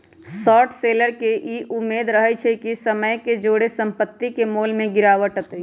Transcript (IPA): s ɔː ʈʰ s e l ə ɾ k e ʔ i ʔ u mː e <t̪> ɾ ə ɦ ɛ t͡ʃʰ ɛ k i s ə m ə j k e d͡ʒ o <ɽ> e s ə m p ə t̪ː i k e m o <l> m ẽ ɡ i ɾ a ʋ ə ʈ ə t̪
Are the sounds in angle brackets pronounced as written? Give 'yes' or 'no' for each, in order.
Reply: no, yes, yes

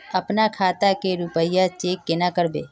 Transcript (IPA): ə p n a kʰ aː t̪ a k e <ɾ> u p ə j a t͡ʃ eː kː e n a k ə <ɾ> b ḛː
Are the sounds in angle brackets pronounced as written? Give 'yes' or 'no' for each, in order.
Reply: yes, yes

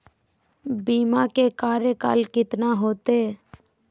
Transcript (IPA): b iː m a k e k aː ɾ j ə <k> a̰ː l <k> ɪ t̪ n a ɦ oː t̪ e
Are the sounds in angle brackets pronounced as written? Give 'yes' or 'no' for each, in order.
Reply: yes, yes

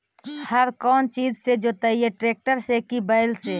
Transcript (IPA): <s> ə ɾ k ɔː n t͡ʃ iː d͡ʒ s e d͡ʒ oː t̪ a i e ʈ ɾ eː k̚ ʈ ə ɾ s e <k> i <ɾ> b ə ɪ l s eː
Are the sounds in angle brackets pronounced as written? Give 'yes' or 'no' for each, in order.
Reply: no, yes, no

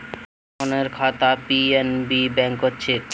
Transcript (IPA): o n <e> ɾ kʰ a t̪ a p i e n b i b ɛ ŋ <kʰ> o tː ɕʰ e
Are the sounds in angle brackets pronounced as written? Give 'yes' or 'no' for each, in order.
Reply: yes, no

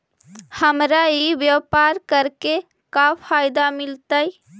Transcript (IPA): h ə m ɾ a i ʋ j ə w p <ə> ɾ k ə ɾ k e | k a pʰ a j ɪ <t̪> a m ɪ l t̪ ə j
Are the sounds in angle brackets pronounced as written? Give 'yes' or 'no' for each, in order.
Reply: no, no

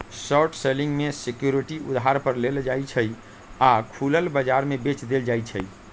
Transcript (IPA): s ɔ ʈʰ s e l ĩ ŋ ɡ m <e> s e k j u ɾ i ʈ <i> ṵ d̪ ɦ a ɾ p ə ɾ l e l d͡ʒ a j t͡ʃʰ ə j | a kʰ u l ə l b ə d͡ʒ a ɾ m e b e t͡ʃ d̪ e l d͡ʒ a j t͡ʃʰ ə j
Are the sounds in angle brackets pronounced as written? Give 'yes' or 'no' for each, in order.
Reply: yes, yes

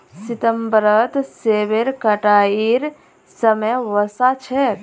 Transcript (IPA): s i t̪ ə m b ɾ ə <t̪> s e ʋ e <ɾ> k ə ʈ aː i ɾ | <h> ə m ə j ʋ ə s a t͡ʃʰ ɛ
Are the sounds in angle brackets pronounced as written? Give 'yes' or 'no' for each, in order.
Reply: yes, yes, no

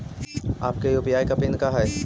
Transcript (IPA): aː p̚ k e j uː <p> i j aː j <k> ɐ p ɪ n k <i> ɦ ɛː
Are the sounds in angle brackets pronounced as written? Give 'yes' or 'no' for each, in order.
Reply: yes, yes, no

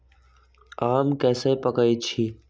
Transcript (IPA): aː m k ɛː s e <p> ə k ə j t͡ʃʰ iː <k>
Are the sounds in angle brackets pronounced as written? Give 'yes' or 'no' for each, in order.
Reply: yes, no

